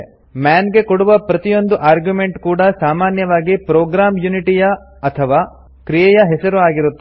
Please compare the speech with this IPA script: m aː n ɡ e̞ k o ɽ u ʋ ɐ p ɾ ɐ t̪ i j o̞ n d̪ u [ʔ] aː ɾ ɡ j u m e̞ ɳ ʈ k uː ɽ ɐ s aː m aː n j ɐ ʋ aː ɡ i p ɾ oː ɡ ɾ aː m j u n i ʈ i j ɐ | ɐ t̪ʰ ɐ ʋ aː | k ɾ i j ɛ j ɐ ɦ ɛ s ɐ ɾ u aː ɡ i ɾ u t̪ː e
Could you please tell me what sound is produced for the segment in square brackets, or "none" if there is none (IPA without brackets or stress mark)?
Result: ʔ